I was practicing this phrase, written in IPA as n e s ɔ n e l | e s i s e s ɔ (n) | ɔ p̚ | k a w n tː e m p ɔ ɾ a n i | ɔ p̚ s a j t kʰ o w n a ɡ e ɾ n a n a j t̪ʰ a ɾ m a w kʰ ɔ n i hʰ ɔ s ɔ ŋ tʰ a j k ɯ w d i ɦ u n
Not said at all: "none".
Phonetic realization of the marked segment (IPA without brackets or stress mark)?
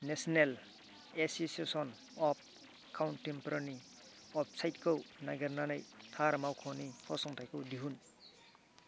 n